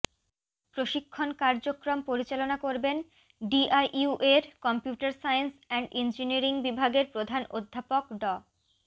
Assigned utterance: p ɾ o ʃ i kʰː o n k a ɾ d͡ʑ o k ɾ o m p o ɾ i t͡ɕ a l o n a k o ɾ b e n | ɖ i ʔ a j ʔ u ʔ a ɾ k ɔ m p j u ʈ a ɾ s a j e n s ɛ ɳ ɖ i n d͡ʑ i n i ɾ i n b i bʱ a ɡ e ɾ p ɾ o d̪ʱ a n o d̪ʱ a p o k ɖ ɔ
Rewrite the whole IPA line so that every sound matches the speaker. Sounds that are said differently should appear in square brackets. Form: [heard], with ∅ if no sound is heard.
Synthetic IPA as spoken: p ɾ o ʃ i kʰː o n k a ɾ d͡ʑ o k ɾ o m p o ɾ i t͡ɕ a l o n a k o ɾ b e n | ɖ i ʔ a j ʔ u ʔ [e] ɾ k ɔ m p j u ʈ a ɾ s a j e n s ɛ ɳ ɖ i n d͡ʑ i n i ɾ i [ŋ] b i bʱ a ɡ e ɾ p ɾ o d̪ʱ a n o [d̪ʱː] a p o k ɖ ɔ